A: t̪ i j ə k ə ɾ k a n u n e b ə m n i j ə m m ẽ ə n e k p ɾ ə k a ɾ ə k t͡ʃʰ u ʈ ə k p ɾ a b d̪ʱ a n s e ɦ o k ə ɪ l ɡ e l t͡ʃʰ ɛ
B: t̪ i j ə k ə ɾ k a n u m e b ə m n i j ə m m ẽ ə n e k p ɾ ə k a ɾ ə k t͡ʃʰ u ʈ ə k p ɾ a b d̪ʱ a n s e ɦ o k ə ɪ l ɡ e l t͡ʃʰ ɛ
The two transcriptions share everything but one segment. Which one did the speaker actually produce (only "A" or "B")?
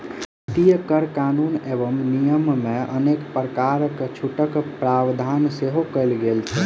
A